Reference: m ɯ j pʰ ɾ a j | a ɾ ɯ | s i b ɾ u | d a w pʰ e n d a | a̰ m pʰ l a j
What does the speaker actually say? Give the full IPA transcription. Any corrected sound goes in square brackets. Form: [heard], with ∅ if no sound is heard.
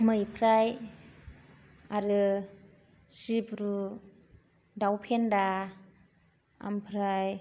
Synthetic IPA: m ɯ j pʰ ɾ a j | a ɾ ɯ | s i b ɾ u | d a w pʰ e n d a | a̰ m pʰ [ɾ] a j